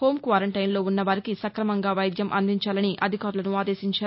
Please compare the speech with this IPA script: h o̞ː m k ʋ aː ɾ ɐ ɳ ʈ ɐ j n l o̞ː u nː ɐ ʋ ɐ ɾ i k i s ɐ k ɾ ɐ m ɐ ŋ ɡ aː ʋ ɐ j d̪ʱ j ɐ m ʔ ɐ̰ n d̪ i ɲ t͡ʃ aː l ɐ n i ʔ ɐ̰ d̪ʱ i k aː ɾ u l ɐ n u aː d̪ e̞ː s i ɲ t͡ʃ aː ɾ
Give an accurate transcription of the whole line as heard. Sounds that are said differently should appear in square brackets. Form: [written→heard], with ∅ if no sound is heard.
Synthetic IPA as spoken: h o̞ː m k ʋ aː ɾ ɐ ɳ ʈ ɐ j n l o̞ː u nː ɐ ʋ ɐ ɾ i k i s ɐ k ɾ ɐ m ɐ ŋ ɡ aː ʋ ɐ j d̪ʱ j ɐ m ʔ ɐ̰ n d̪ i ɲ t͡ʃ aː l ɐ n i ʔ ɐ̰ d̪ʱ i k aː ɾ u l ɐ n u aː d̪ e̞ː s i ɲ t͡ʃ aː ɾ